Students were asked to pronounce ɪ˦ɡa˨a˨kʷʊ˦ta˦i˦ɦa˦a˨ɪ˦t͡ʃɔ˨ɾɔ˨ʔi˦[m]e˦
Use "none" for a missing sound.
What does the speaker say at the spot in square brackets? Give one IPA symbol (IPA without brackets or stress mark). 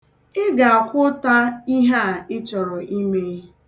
m